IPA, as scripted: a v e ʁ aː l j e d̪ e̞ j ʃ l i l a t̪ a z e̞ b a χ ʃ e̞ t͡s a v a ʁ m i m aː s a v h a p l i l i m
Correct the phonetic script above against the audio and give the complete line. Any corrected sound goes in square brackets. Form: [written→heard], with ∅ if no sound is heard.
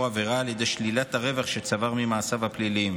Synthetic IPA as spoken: a v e ʁ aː l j e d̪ e̞ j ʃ l i l a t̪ a [z→ʁ] e̞ [b→v] a χ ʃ e̞ t͡s a v a ʁ m i m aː s a v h a p l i l i m